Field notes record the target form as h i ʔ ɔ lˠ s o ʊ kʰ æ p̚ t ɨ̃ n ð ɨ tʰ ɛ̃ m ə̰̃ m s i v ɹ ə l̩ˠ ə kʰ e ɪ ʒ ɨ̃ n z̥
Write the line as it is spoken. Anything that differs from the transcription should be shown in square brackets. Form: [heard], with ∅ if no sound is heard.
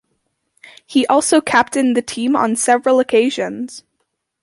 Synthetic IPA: h i ʔ ɔ lˠ s o ʊ kʰ æ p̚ t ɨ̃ n ð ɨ tʰ [ĩ] m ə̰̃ [n] s [ɛ] v ɹ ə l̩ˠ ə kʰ e ɪ ʒ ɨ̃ n z̥